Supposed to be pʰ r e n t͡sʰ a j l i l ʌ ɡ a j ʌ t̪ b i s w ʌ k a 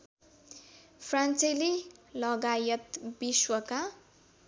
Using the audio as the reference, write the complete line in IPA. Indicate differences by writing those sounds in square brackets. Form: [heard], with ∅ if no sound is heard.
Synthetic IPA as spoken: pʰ r [a] n [t͡s] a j l i l ʌ ɡ a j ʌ t̪ b i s w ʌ k a

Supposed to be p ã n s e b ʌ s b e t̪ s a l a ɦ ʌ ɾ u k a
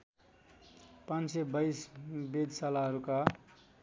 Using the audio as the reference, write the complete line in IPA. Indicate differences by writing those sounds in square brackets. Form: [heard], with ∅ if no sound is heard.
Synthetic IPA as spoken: p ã n s e b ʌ s b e [d̪] s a l a ɦ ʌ ɾ u k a

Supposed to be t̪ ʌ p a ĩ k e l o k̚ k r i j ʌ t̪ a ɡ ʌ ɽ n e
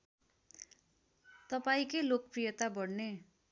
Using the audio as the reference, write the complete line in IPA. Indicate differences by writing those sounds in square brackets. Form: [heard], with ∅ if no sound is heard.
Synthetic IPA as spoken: t̪ ʌ p a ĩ k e l o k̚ [p] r i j ʌ t̪ a [b] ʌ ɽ n e

